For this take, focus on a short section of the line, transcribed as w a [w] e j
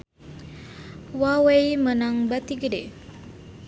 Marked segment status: correct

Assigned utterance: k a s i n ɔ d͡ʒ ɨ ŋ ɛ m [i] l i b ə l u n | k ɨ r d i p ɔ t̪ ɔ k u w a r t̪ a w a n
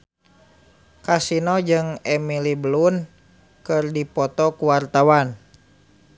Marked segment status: correct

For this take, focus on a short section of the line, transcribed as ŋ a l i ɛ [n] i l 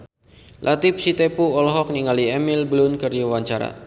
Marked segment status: incorrect: m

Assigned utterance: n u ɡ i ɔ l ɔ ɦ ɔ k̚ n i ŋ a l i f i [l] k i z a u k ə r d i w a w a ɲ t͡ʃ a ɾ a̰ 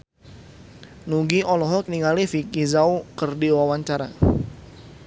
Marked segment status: incorrect: none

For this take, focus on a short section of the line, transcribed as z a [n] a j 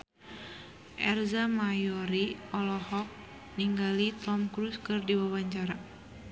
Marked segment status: incorrect: m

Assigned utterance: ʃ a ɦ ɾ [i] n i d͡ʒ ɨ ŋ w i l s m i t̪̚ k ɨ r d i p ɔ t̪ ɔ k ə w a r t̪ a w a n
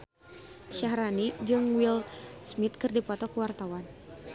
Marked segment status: incorrect: a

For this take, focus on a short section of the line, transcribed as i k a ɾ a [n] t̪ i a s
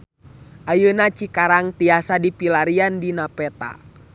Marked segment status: incorrect: ŋ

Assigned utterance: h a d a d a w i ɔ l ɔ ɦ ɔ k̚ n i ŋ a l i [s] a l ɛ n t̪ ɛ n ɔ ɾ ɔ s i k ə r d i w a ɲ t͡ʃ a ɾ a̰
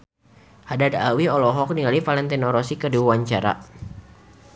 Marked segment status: incorrect: f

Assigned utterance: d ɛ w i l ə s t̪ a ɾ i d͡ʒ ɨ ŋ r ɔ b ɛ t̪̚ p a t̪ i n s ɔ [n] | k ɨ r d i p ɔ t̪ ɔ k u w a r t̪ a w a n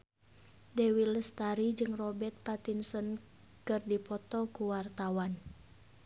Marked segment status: correct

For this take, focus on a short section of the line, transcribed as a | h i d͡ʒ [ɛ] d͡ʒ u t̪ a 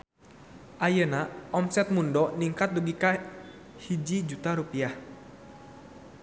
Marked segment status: incorrect: i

